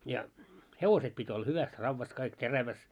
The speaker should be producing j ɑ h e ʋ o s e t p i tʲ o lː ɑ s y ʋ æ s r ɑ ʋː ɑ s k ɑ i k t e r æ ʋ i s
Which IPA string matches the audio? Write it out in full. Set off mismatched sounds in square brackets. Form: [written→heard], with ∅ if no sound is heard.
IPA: j ɑ h e ʋ o s e t p i tʲ o lː ɑ [s→h] y ʋ æ s r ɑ ʋː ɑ s k ɑ i k t e r æ ʋ [i→æ] s